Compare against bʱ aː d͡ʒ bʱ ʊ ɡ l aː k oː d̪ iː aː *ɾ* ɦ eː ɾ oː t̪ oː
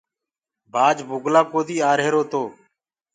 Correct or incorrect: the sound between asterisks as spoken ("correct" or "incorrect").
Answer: correct